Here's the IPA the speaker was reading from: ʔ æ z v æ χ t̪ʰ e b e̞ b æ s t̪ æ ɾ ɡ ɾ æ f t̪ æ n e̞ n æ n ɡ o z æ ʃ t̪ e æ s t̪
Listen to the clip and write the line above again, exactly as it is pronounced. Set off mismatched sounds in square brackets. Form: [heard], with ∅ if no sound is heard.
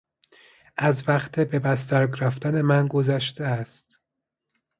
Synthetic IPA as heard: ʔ æ z v æ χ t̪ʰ e b e̞ b æ s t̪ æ ɾ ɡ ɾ æ f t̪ æ n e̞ [m] æ n ɡ o z æ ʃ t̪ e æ s t̪